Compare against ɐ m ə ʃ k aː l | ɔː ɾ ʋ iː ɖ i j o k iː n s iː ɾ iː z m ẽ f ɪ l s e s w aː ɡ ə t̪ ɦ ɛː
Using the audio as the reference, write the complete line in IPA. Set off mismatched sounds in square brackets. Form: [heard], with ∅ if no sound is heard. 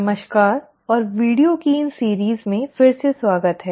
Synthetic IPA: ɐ m ə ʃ k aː [ɾ] | ɔː ɾ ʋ iː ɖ i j o k iː n s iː ɾ iː z m ẽ f ɪ [ɾ] s e s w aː ɡ ə t̪ ɦ ɛː